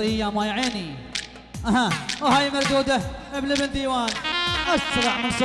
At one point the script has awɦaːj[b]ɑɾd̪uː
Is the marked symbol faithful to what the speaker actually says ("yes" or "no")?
no